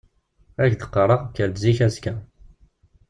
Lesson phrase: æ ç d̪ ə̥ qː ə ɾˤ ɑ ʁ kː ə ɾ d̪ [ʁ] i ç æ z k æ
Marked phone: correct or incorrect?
incorrect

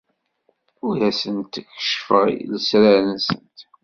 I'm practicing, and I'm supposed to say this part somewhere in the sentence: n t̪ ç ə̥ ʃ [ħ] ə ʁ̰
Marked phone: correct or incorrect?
incorrect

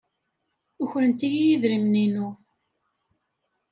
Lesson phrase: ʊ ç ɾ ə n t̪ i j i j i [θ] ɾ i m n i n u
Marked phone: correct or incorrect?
incorrect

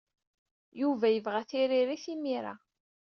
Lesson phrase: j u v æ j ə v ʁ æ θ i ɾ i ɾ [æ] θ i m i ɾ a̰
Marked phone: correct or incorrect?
incorrect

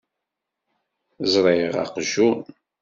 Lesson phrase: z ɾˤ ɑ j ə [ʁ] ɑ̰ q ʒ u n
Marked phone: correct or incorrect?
correct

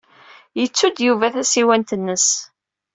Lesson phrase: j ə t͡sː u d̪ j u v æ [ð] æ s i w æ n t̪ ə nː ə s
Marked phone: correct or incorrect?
incorrect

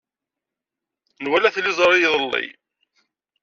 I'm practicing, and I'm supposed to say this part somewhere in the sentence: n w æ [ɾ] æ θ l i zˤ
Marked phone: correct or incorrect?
incorrect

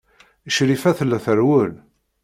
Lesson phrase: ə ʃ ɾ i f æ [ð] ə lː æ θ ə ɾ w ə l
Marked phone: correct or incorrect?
incorrect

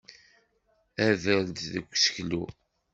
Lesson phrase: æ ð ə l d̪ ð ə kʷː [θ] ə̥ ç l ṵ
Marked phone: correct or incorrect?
incorrect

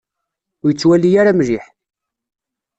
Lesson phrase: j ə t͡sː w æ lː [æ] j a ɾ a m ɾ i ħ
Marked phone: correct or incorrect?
incorrect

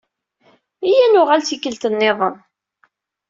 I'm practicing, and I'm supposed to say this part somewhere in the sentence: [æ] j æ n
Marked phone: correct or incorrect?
incorrect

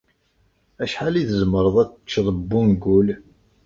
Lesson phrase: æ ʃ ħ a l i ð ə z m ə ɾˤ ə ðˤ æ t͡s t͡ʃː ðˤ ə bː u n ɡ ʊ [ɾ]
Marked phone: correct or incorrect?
incorrect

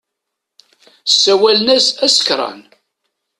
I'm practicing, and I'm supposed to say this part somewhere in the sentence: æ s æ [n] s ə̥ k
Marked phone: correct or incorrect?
incorrect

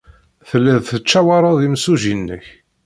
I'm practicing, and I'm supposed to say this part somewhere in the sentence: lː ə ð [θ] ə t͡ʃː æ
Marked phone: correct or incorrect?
correct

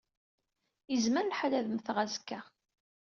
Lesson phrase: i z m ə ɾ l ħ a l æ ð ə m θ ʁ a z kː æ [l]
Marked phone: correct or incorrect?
incorrect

